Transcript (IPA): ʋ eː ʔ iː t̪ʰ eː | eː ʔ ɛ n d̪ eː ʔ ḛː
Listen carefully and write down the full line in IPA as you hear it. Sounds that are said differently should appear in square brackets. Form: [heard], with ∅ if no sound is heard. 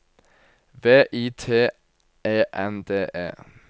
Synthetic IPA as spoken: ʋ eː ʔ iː t̪ʰ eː | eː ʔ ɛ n d̪ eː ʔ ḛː